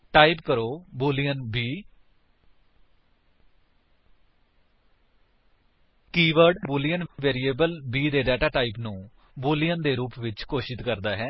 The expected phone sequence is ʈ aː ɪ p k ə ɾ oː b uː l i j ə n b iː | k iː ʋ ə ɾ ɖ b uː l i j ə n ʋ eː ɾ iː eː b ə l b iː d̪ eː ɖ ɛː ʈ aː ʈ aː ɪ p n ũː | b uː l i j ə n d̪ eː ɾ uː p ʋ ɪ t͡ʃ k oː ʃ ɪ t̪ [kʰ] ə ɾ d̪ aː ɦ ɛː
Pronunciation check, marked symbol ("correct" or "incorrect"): incorrect